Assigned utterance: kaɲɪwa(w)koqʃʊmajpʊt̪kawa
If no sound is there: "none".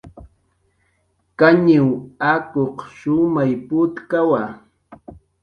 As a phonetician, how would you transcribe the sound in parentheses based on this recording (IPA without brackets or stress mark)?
none